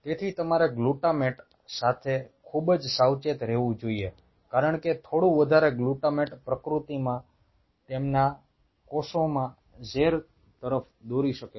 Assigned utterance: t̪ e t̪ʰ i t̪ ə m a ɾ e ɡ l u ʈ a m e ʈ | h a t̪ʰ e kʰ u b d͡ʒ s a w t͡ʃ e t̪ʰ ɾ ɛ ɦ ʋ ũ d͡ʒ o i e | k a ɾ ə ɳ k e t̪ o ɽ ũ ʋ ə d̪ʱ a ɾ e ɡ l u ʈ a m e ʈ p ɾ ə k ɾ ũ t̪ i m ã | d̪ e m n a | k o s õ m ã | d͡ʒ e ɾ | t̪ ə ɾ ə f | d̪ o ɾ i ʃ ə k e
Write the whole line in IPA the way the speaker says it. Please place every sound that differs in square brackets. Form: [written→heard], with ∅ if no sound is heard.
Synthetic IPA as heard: t̪ e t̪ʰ i t̪ ə m a ɾ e ɡ l u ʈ a m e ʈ | [h→s] a t̪ʰ e kʰ u b d͡ʒ s a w t͡ʃ e [t̪ʰ→t̪] ɾ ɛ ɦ ʋ ũ d͡ʒ o i e | k a ɾ ə ɳ k e [t̪→t̪ʰ] o ɽ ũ ʋ ə d̪ʱ a ɾ e ɡ l u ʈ a m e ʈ p ɾ ə k ɾ [ũ→u] t̪ i m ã | [d̪→t̪] e m n a | k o s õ m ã | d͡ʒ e ɾ | t̪ ə ɾ ə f | d̪ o ɾ i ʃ ə k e